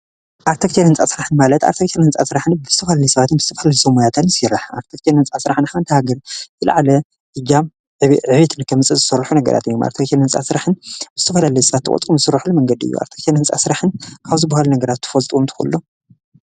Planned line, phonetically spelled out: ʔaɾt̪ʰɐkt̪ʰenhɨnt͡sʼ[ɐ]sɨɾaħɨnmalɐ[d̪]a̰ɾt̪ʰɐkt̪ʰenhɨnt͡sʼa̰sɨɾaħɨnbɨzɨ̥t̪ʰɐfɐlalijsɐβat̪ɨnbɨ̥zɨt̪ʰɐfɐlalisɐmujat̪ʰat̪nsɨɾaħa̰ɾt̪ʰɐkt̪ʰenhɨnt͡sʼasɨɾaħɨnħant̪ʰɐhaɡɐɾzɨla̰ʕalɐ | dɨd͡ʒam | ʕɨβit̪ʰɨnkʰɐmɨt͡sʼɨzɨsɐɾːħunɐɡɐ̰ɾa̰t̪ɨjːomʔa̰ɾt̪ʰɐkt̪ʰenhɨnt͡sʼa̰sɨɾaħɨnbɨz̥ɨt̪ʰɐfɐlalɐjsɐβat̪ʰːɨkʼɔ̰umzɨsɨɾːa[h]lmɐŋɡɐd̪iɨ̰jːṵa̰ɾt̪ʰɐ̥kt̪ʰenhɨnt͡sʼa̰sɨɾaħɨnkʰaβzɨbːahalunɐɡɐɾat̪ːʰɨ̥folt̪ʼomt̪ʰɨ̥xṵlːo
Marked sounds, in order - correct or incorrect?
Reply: incorrect, incorrect, incorrect

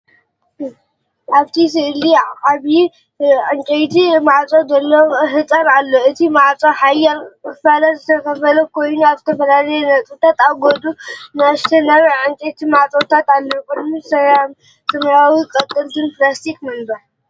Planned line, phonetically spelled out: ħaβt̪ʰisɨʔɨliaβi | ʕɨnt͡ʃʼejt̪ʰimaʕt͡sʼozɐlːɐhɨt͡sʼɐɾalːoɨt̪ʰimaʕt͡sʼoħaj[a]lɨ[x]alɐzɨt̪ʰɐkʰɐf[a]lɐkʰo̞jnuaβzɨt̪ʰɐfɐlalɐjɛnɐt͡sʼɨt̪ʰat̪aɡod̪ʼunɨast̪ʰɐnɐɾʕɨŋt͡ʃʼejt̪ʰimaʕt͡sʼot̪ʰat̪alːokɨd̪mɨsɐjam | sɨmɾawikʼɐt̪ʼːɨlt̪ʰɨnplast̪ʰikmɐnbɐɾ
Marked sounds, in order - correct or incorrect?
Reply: correct, incorrect, incorrect

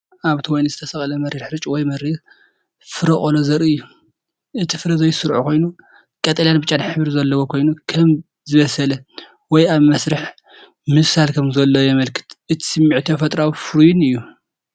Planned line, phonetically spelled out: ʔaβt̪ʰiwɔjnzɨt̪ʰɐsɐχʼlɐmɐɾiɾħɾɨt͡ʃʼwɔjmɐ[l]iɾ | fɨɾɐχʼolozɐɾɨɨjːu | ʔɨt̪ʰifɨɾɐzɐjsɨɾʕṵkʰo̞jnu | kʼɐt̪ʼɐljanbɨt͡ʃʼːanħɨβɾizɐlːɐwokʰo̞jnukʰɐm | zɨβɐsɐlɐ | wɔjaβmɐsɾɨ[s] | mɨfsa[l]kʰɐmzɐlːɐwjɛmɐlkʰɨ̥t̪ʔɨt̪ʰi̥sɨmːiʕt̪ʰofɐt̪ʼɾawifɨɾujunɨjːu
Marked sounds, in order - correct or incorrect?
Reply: incorrect, incorrect, correct

